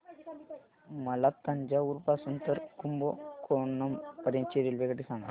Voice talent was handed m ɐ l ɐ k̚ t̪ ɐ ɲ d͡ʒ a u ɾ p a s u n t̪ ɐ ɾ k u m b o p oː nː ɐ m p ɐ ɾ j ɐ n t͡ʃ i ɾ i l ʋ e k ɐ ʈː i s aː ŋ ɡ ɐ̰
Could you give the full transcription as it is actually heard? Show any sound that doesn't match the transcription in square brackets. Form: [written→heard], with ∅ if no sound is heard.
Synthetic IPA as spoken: m ɐ l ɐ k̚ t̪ ɐ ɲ d͡ʒ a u ɾ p a s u n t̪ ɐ ɾ k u m b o [p→k] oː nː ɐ m p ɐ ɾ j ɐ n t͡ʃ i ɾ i l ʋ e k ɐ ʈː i s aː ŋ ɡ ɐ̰